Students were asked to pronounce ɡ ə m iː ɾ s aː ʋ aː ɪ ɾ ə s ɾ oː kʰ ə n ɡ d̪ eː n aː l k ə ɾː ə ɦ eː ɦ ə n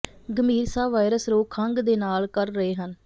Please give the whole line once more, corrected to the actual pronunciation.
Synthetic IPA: ɡ ə m iː ɾ s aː ʋ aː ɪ ɾ ə s ɾ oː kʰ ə ŋ ɡ d̪ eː n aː l k ə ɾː ə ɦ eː ɦ ə n